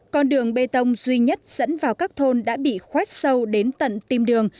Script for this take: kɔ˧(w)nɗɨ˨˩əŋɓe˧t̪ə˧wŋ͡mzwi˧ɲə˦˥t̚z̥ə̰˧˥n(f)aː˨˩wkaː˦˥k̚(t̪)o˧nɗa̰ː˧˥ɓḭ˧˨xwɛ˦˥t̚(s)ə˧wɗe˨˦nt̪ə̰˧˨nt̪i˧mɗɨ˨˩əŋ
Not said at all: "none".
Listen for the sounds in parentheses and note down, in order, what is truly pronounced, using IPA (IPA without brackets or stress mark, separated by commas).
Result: none, v, t̪ʰ, s